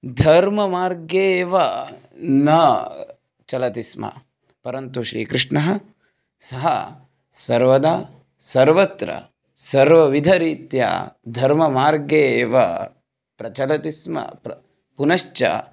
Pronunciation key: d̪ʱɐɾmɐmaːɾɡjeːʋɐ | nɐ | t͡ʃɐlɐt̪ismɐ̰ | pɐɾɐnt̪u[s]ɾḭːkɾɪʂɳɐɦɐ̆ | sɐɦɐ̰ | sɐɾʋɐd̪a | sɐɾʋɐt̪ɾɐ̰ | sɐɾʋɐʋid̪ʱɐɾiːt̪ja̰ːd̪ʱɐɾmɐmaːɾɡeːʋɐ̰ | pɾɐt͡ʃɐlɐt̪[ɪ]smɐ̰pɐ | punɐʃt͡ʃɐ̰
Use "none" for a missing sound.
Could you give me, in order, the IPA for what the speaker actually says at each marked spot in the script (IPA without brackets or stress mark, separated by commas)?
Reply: ʃ, i